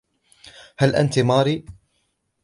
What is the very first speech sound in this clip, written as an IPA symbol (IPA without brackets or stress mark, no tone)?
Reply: h